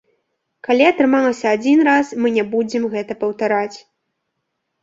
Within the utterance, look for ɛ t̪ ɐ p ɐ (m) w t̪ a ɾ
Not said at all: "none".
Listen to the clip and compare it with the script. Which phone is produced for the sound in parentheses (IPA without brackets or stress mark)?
none